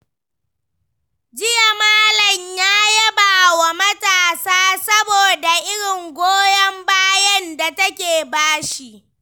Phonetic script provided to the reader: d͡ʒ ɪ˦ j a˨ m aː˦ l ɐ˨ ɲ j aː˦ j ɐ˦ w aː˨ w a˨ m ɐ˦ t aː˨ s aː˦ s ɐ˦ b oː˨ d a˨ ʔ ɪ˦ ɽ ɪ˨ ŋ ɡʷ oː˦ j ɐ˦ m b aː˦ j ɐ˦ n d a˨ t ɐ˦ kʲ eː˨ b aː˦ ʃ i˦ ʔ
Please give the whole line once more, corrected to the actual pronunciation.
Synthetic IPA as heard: d͡ʒ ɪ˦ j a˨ m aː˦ l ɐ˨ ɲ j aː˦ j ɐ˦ b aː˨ w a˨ m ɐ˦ t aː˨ s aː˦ s ɐ˦ b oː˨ d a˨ ʔ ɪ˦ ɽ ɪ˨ ŋ ɡʷ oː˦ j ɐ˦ m b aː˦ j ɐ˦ n d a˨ t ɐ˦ kʲ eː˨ b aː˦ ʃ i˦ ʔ